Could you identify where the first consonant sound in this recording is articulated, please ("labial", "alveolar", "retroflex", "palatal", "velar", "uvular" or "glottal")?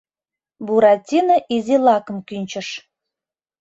labial